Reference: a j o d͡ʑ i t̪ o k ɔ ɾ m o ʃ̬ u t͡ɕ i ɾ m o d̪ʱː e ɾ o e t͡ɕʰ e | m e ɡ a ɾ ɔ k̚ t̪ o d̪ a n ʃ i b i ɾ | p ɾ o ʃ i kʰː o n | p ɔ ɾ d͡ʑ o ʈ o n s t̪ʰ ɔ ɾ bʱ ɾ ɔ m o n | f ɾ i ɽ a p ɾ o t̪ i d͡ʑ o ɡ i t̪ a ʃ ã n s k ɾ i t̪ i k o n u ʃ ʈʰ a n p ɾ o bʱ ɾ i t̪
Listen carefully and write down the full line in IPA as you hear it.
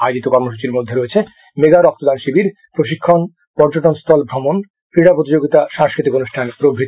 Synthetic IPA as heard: a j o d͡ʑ i t̪ o k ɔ ɾ m o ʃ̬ u t͡ɕ i ɾ m o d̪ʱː e ɾ o e t͡ɕʰ e | m e ɡ a ɾ ɔ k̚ t̪ o d̪ a n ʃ i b i ɾ | p ɾ o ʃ i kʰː o n | p ɔ ɾ d͡ʑ o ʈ o n s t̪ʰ ɔ l bʱ ɾ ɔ m o n | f ɾ i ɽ a p ɾ o t̪ i d͡ʑ o ɡ i t̪ a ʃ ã ŋ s k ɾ i t̪ i k o n u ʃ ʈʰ a n p ɾ o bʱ ɾ i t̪